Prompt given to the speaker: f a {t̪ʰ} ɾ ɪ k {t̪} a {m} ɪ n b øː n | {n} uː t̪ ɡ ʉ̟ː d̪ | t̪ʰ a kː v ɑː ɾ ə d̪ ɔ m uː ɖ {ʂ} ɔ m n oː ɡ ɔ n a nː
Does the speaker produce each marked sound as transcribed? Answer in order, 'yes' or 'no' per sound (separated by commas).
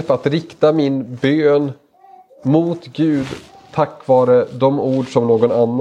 no, yes, yes, no, yes